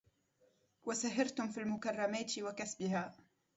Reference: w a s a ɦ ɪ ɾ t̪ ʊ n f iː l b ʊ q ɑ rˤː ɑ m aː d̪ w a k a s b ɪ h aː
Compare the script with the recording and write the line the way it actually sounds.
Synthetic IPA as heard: w a s a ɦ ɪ ɾ t̪ ʊ m f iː l m ʊ k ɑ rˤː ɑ m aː t̪ w a k a s b ɪ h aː